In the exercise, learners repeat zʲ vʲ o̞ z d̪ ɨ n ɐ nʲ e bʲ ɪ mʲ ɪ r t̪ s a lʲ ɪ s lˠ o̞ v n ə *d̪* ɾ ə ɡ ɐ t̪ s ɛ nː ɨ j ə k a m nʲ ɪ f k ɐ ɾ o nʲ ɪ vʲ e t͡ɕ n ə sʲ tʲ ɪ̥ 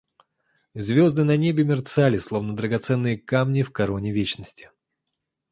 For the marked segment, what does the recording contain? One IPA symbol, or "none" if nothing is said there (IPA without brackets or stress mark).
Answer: d̪